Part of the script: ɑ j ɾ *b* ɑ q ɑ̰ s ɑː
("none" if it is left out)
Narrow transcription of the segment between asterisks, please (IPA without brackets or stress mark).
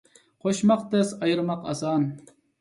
m